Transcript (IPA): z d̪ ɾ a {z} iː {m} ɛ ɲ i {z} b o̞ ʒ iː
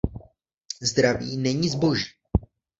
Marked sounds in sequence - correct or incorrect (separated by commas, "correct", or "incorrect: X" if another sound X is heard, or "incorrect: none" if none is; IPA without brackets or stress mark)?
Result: incorrect: v, incorrect: n, correct